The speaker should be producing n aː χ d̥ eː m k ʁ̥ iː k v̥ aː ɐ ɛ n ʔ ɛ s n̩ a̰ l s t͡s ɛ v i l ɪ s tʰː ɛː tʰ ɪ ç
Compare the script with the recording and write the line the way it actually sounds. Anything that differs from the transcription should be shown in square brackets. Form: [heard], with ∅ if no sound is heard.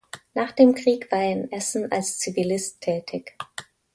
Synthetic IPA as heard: n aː χ d̥ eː m k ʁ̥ iː k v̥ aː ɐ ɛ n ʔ ɛ s n̩ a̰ l s t͡s [i] v i l ɪ s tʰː ɛː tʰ ɪ ç